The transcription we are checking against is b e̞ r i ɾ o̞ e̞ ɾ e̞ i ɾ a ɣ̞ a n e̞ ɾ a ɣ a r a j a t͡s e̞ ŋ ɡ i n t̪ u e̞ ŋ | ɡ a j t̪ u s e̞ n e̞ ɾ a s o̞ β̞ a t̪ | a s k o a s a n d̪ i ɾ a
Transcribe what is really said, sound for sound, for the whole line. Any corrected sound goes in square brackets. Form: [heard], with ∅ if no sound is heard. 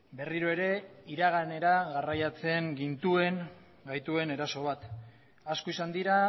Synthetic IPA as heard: b e̞ r i ɾ o̞ e̞ ɾ e̞ i ɾ a ɣ̞ a n e̞ ɾ a ɣ a r a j a t͡s e̞ ŋ ɡ i n t̪ u e̞ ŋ | ɡ a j t̪ u [∅] e̞ n e̞ ɾ a s o̞ β̞ a t̪ | a s k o [i] s a n d̪ i ɾ a

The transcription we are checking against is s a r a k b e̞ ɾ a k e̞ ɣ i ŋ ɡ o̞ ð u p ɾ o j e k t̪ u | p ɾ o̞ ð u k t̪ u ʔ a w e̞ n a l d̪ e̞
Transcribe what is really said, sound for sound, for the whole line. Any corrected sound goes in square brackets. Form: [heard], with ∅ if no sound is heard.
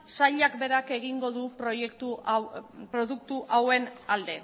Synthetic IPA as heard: s a [ʎ] a k b e̞ ɾ a k e̞ ɣ i ŋ ɡ o̞ ð u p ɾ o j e k t̪ u | p ɾ o̞ ð u k t̪ u ʔ a w e̞ n a l d̪ e̞

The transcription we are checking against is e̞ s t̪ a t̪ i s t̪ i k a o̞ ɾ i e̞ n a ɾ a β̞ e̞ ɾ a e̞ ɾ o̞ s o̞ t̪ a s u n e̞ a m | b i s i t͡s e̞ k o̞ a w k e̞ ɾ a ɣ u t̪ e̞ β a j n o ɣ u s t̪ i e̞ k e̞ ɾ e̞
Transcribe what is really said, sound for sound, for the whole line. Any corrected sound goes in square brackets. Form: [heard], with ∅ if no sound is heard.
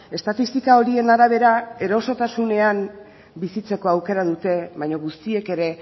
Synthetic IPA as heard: e̞ s t̪ a t̪ i s t̪ i k a o̞ ɾ i e̞ n a ɾ a β̞ e̞ ɾ a e̞ ɾ o̞ s o̞ t̪ a s u n e̞ a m | b i s i t͡s e̞ k o̞ a w k e̞ ɾ a [ð] u t̪ e̞ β a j [ɲ] o ɣ u s t̪ i e̞ k e̞ ɾ e̞

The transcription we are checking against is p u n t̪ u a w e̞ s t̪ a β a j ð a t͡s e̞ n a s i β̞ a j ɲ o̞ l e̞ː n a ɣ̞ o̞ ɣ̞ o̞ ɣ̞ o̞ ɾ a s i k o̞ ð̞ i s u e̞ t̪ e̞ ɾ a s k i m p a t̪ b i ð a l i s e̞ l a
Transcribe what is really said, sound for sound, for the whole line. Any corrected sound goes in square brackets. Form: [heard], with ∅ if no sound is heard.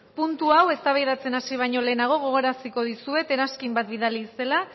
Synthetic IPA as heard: p u n t̪ u a w e̞ s t̪ a β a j ð a t͡s e̞ n a s i β̞ a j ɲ o̞ l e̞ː n a ɣ̞ o̞ ɣ̞ o̞ ɣ̞ o̞ ɾ a s i k o̞ ð̞ i s u e̞ t̪ e̞ ɾ a s k i m [b] a t̪ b i ð a l i s e̞ l a

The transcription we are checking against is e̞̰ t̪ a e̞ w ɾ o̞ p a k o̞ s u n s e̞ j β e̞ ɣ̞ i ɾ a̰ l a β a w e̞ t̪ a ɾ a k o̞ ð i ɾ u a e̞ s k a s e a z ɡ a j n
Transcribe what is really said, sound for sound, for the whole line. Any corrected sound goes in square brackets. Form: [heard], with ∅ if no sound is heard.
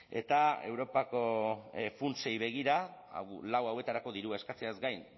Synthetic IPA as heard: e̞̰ t̪ a e̞ w ɾ o̞ p a k o̞ [f] u n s e̞ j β e̞ ɣ̞ i ɾ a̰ l a [w] a w e̞ t̪ a ɾ a k o̞ ð i ɾ u a e̞ s k a [t͡s] e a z ɡ a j n

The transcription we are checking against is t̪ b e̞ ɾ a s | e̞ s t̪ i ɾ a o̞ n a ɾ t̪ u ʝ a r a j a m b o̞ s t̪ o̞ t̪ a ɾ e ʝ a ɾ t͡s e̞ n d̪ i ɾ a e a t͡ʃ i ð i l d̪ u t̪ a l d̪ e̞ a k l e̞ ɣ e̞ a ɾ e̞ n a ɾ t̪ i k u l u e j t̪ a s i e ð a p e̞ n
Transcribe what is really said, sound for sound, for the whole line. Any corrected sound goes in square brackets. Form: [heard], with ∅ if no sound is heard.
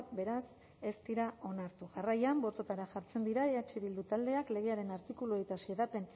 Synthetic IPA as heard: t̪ b e̞ ɾ a s | e̞ s t̪ i ɾ a o̞ n a ɾ t̪ u ʝ a r a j a m b o̞ [∅] t̪ o̞ t̪ a ɾ [a] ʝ a ɾ t͡s e̞ n d̪ i ɾ a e a t͡ʃ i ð i l d̪ u t̪ a l d̪ e̞ a k l e̞ ɣ e̞ a ɾ e̞ n a ɾ t̪ i k u l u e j t̪ a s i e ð a p e̞ n

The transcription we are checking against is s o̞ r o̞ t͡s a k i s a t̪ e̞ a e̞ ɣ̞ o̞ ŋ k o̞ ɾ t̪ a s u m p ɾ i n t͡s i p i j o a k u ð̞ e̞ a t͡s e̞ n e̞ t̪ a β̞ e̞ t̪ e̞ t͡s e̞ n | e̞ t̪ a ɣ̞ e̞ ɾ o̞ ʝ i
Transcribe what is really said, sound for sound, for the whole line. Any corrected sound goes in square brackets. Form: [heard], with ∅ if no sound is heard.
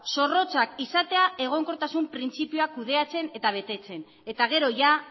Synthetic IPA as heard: s o̞ r o̞ t͡s a k i s a t̪ e̞ a e̞ ɣ̞ o̞ ŋ k o̞ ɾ t̪ a s u m p ɾ i n t͡s i p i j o a k u ð̞ e̞ a t͡s e̞ n e̞ t̪ a β̞ e̞ t̪ e̞ t͡s e̞ n | e̞ t̪ a ɣ̞ e̞ ɾ o̞ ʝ [a]

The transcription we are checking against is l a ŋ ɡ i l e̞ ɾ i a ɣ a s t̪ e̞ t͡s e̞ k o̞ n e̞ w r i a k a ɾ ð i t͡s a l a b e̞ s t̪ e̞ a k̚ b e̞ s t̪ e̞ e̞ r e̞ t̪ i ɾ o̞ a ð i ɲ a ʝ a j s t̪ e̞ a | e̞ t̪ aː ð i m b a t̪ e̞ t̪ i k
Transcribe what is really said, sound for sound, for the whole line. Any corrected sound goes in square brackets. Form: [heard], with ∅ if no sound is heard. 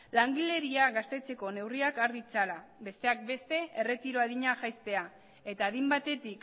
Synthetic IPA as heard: l a ŋ ɡ i l e̞ ɾ i a ɣ a s t̪ e̞ t͡s e̞ k o̞ n e̞ w r i a k a ɾ ð i t͡s a l a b e̞ s t̪ e̞ a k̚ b e̞ s t̪ e̞ e̞ r e̞ t̪ i ɾ o̞ a ð i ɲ a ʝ a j s t̪ e̞ a | e̞ t̪ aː ð i m b a t̪ e̞ t̪ i k

